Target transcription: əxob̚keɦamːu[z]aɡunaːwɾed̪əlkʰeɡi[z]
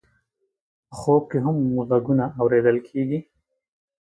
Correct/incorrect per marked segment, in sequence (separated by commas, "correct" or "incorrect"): correct, incorrect